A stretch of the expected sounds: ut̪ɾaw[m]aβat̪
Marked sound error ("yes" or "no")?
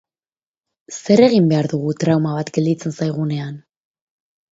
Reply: no